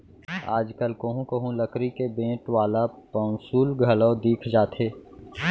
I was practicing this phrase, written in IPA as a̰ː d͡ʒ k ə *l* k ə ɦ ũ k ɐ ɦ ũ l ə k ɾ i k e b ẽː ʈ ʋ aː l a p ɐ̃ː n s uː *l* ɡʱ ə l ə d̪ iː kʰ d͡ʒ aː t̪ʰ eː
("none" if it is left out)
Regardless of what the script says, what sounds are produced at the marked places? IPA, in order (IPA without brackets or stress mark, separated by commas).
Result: l, l